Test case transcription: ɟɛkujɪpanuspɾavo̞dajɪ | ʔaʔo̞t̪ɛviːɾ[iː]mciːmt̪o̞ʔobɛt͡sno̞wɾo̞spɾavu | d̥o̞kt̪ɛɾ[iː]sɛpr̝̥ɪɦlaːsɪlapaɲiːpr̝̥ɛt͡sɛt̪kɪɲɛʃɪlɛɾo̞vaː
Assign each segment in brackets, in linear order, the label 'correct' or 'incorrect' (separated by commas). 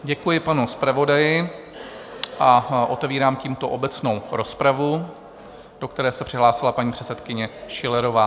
incorrect, incorrect